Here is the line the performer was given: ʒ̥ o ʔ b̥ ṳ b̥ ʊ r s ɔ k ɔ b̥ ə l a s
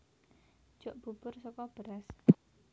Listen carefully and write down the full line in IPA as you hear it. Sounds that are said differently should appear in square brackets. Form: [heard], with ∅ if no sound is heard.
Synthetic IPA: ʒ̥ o ʔ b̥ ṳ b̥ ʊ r s ɔ k ɔ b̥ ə [ɾ] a s